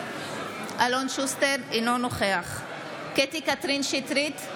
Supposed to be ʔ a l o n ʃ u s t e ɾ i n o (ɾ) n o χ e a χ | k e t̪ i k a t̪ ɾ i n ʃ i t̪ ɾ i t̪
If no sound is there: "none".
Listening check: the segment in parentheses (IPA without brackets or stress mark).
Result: none